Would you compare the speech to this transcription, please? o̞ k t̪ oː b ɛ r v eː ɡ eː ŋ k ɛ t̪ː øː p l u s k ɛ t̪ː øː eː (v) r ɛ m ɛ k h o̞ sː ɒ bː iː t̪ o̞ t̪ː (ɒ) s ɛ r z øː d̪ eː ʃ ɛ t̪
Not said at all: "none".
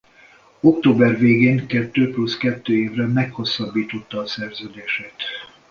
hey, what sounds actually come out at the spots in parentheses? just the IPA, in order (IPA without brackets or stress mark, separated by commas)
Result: v, ɒː